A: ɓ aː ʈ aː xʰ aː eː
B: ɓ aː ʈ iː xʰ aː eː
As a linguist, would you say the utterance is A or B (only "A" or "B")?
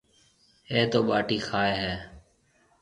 B